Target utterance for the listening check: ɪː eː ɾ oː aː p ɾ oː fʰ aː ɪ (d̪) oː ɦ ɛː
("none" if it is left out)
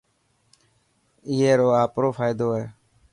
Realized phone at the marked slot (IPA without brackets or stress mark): d̪